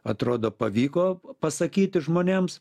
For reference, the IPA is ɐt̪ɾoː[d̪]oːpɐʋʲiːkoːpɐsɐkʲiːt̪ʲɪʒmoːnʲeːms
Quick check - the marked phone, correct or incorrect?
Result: correct